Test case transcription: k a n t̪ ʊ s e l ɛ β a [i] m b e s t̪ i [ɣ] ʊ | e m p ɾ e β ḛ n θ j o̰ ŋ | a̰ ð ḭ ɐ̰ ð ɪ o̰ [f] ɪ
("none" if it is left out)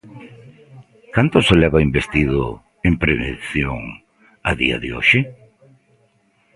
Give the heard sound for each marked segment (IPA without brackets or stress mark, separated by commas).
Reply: i, ð, ʃ